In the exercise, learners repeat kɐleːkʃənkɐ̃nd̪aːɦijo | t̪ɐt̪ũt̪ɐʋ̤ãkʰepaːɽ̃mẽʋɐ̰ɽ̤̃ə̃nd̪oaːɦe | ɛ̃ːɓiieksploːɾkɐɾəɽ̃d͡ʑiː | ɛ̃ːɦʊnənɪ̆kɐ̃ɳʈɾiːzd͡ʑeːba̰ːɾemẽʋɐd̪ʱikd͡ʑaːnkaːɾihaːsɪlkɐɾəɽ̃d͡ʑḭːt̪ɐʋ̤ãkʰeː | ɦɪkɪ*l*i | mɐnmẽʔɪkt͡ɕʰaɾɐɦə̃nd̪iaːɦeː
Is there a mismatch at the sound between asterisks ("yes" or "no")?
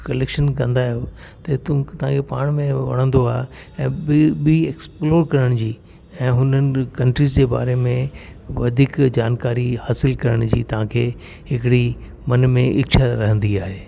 yes